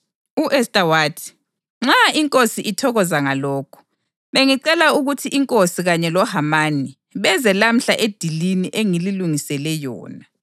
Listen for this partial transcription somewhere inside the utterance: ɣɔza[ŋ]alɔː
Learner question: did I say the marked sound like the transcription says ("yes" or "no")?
yes